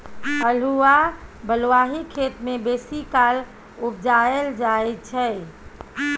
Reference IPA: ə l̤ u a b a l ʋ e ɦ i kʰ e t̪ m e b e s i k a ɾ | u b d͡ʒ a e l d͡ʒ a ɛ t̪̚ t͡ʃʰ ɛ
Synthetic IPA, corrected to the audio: ə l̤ u a b ə l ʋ a ɦ i kʰ e t̪ m e b e s i k a l | u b d͡ʒ a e l d͡ʒ a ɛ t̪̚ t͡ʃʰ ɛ